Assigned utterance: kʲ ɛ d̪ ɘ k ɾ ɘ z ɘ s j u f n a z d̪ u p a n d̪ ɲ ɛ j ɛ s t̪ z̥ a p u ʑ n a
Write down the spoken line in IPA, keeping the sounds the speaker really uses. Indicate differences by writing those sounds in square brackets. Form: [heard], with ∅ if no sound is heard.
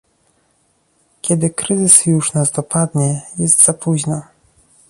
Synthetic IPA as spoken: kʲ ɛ d̪ ɘ k ɾ ɘ z ɘ s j u [ʂ] n a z d̪ [ɔ] p a [∅] d̪ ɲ ɛ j ɛ s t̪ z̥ a p u ʑ n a